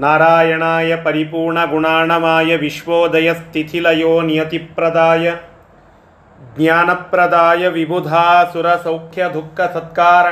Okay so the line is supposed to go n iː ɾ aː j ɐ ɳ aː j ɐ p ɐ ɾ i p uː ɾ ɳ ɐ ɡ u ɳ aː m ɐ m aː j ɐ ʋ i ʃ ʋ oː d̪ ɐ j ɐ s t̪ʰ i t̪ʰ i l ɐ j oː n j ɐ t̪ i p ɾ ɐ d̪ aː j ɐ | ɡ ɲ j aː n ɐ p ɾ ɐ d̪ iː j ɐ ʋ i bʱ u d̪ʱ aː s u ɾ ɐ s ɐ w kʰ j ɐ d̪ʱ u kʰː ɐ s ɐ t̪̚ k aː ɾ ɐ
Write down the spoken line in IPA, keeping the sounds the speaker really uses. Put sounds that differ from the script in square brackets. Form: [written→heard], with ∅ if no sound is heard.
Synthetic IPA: n [iː→aː] ɾ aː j ɐ ɳ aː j ɐ p ɐ ɾ i p uː ɾ ɳ ɐ ɡ u ɳ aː [m→ɳ] ɐ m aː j ɐ ʋ i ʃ ʋ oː d̪ ɐ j ɐ s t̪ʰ i t̪ʰ i l ɐ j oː n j ɐ t̪ i p ɾ ɐ d̪ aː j ɐ | ɡ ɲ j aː n ɐ p ɾ ɐ d̪ [iː→aː] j ɐ ʋ i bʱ u d̪ʱ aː s u ɾ ɐ s ɐ w kʰ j ɐ d̪ʱ u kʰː ɐ s ɐ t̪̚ k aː ɾ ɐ